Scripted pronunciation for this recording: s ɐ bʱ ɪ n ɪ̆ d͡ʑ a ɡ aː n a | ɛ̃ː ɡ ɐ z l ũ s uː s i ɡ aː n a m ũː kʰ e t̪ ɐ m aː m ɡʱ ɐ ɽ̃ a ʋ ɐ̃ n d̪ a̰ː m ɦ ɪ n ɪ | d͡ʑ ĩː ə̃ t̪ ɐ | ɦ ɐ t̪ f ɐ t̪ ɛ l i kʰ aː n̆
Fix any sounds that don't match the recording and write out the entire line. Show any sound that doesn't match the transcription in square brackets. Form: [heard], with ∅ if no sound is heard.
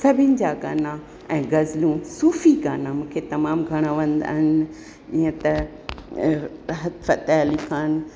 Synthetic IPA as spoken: s ɐ bʱ ɪ n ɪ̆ d͡ʑ a ɡ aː n a | ɛ̃ː ɡ ɐ z l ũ s uː [f] i ɡ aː n a m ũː kʰ e t̪ ɐ m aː m ɡʱ ɐ ɽ̃ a ʋ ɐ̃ n d̪ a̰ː [∅] ɦ ɪ n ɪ | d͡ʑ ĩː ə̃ t̪ ɐ | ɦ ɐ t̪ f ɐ t̪ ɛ l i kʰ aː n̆